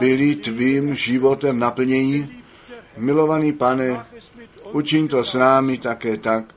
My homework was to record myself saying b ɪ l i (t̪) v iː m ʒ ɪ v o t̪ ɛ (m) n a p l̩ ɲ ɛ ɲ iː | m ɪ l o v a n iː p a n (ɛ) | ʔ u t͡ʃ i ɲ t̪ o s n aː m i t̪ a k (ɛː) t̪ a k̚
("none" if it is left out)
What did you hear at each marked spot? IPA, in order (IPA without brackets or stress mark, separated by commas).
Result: t̪, m, ɛ, ɛː